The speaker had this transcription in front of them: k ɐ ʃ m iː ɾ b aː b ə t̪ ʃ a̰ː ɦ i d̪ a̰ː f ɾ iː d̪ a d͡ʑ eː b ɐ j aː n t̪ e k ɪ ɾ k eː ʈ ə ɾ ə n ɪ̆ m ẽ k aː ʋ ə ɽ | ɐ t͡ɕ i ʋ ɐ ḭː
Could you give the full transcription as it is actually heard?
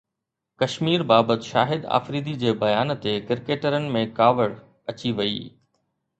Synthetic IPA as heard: k ɐ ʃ m iː ɾ b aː b ə t̪ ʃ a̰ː ɦ ɪ d̪ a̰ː f ɾ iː d̪ i d͡ʑ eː b ɐ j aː n t̪ e k ɪ ɾ k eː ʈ ə ɾ ə n ɪ̆ m ẽ k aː ʋ ə ɽ | ɐ t͡ɕ i ʋ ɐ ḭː